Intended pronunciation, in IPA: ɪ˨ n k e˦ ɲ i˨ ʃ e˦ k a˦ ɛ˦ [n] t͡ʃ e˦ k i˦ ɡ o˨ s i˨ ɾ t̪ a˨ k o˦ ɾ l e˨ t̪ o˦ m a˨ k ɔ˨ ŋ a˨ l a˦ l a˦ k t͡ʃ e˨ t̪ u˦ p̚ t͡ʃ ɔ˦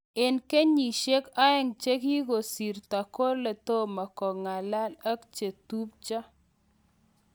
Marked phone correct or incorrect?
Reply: incorrect